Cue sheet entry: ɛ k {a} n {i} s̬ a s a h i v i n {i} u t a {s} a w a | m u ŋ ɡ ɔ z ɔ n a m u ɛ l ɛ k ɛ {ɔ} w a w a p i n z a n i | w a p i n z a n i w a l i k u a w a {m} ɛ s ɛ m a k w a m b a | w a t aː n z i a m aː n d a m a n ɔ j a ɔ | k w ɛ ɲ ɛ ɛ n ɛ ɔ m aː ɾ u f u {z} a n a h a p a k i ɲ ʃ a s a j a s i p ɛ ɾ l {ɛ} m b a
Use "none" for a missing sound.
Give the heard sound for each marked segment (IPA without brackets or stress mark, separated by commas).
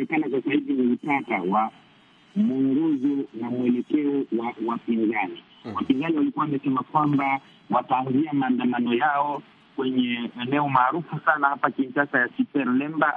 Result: a, a, i, t, ɔ, m, s, ɛ